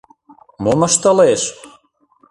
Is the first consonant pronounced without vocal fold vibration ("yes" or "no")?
no